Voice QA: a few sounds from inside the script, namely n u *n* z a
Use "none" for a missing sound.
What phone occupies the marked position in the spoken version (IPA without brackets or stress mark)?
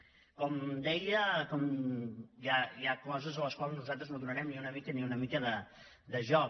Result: none